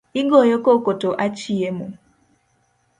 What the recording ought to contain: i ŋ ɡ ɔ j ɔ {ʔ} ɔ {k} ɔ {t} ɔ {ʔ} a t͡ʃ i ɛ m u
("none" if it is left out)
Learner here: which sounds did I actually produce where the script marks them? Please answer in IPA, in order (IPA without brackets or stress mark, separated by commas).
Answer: k, k, t, ʔ